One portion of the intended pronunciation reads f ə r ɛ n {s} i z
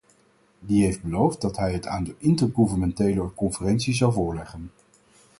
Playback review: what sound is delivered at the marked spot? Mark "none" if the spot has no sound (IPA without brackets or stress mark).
s